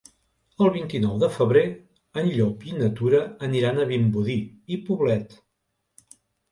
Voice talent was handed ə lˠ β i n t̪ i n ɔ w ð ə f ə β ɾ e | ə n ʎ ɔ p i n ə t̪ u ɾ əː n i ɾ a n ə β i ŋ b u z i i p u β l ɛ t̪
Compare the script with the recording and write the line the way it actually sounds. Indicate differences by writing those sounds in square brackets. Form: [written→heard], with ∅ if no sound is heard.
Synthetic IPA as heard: ə lˠ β i n t̪ i n ɔ w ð ə f ə β ɾ e | ə n ʎ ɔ p i n ə t̪ u ɾ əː n i ɾ a n ə β i [ŋ→m] b u [z→ð] i i p u β l ɛ t̪